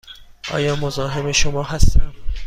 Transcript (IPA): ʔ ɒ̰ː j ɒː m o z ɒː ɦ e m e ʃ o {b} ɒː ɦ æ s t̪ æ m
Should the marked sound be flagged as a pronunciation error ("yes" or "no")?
yes